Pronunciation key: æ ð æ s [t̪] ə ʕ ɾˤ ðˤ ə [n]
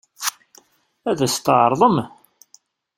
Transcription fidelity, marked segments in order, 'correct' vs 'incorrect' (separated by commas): correct, incorrect